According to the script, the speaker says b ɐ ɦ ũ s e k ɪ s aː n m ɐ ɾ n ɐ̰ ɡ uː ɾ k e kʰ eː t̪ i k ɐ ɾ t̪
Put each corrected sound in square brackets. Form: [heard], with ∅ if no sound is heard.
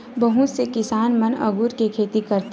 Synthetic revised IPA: b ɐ ɦ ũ s e k ɪ s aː n m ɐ [∅] n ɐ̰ ɡ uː ɾ k e kʰ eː t̪ i k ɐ ɾ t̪